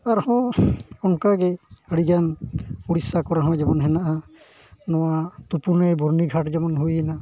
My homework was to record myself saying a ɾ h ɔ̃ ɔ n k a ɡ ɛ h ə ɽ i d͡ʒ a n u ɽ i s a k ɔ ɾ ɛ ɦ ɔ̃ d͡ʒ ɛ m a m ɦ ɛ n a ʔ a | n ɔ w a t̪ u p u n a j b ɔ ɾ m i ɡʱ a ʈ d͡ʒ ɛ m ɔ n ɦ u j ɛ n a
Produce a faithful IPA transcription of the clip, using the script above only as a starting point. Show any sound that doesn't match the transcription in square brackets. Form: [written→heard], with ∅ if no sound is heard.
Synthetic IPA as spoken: a ɾ h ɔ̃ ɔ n k a ɡ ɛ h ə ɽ i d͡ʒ a n u ɽ i s a k ɔ ɾ [ɛ→a] ɦ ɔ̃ d͡ʒ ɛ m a [m→n] ɦ ɛ n a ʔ a | n ɔ w a t̪ u p u n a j b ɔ ɾ [m→n] i ɡʱ a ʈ d͡ʒ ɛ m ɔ n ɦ u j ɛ n a